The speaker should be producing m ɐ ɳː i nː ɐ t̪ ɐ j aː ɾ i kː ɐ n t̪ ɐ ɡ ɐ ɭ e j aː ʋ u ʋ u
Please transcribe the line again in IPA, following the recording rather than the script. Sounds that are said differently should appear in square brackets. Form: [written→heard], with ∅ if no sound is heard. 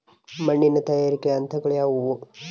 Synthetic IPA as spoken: m ɐ ɳː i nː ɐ t̪ ɐ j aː ɾ i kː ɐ n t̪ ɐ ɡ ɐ ɭ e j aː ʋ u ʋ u